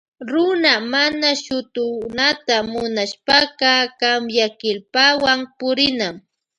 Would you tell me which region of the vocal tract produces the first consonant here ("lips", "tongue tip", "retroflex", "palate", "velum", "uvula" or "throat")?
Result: tongue tip